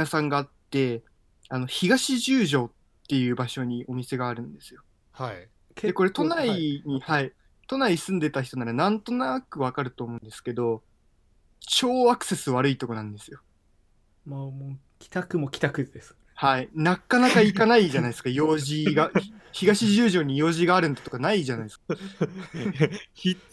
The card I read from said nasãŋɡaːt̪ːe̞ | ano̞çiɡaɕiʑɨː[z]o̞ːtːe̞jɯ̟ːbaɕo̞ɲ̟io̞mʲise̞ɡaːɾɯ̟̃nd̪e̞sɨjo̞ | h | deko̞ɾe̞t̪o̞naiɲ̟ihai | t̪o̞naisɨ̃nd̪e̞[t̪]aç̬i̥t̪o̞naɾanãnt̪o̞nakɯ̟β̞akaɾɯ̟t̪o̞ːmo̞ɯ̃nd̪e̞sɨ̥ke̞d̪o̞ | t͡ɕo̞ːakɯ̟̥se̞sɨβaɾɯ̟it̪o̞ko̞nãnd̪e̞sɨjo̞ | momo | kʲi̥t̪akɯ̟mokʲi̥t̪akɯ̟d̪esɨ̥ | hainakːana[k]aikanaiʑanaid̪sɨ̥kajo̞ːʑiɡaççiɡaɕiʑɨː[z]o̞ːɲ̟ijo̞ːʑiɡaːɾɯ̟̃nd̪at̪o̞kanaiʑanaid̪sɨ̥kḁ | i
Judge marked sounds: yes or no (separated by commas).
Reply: no, yes, yes, no